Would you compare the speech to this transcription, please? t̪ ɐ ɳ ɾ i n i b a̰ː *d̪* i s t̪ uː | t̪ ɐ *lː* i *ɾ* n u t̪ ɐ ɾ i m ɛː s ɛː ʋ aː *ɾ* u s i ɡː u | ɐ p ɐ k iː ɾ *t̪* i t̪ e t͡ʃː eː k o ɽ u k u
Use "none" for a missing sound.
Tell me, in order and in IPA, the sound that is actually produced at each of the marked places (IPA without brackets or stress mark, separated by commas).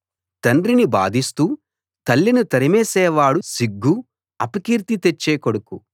d̪, lː, none, ɽ, t̪